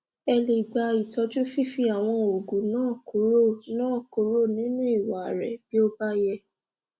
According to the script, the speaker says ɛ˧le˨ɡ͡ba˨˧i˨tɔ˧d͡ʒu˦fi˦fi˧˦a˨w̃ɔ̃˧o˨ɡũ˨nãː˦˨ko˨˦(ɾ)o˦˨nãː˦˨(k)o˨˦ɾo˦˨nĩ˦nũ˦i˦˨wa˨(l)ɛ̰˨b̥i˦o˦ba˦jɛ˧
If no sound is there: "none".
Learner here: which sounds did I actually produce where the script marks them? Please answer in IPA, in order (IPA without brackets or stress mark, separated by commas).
ɾ, k, ɾ